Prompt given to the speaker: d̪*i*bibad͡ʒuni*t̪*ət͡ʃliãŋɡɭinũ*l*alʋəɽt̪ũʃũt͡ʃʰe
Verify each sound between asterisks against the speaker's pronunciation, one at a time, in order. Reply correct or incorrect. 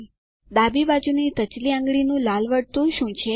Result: incorrect, correct, correct

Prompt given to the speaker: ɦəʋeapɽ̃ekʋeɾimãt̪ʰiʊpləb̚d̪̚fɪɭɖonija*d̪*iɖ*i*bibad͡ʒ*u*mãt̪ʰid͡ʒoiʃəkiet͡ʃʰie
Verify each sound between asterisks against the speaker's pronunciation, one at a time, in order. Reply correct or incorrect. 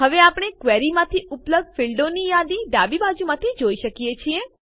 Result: correct, incorrect, correct

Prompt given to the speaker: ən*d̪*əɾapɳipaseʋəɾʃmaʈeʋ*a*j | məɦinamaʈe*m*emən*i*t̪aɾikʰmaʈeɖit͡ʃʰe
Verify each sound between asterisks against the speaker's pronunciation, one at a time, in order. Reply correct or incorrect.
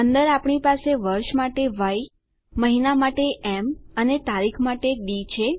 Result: correct, correct, incorrect, incorrect

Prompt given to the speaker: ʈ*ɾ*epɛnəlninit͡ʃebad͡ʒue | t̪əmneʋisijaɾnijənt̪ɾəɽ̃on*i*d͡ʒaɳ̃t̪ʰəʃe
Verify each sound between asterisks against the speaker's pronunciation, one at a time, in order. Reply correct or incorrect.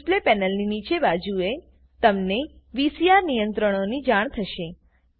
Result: incorrect, correct

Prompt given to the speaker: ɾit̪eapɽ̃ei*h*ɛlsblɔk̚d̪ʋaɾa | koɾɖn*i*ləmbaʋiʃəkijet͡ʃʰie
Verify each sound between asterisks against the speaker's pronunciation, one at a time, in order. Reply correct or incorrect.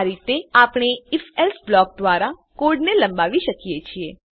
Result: incorrect, incorrect

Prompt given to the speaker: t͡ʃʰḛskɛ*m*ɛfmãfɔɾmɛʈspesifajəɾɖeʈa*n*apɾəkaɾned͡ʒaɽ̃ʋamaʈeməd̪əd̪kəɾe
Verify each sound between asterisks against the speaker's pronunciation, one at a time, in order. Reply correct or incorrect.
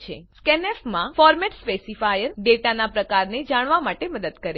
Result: incorrect, correct

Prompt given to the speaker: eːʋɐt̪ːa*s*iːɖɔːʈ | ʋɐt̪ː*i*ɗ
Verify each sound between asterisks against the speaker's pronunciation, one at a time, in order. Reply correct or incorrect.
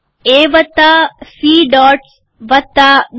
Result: correct, incorrect

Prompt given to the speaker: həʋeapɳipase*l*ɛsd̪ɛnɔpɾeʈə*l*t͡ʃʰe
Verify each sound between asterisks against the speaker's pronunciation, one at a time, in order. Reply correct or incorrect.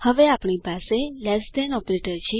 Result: correct, incorrect

